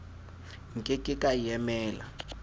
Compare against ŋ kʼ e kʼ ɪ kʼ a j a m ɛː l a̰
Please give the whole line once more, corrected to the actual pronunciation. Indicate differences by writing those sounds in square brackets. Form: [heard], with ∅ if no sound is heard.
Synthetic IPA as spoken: ŋ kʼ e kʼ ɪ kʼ a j [ɛ] m ɛː l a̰